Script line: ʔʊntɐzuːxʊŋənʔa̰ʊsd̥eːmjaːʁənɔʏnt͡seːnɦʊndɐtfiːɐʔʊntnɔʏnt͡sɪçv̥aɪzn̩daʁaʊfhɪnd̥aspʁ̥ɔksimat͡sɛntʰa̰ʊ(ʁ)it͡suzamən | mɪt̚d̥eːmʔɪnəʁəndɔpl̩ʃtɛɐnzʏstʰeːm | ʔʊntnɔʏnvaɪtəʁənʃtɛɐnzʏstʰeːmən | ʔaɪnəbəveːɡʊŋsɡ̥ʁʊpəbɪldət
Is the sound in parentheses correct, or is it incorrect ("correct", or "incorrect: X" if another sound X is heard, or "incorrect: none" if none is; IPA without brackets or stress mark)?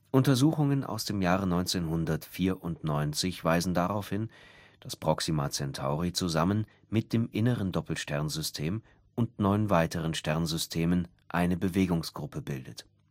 correct